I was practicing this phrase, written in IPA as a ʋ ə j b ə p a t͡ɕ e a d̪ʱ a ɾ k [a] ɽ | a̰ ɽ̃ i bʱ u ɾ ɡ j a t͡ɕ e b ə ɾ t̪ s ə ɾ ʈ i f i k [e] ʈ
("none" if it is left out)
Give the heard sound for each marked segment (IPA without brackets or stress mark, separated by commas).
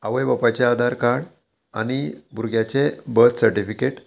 a, e